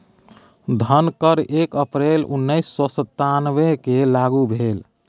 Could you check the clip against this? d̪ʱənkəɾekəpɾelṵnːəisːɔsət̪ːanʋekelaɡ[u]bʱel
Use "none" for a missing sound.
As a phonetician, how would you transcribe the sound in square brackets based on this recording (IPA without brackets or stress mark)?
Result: u